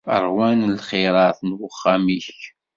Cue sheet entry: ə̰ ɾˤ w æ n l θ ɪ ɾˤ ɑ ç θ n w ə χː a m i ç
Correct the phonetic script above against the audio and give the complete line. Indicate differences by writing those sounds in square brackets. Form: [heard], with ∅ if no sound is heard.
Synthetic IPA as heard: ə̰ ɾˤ w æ n l [χ] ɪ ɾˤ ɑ [∅] θ n w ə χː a m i ç